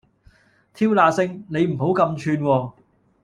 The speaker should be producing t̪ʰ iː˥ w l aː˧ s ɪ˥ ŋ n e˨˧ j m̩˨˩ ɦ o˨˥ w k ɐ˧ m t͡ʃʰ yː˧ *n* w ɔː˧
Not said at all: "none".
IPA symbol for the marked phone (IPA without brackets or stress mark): n